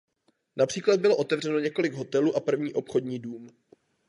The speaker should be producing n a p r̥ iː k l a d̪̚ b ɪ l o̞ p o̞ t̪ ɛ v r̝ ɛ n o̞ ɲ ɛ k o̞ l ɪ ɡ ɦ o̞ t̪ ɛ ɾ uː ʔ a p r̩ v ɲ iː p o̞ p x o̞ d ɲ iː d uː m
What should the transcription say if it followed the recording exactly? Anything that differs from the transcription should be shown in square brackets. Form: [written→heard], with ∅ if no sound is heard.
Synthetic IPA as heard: n a p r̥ iː k l a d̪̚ b ɪ l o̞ [p→ʔ] o̞ t̪ ɛ v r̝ ɛ n o̞ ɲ ɛ k o̞ l ɪ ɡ ɦ o̞ t̪ ɛ [ɾ→l] uː ʔ a p r̩ v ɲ iː [p→ʔ] o̞ p x o̞ d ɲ iː d uː m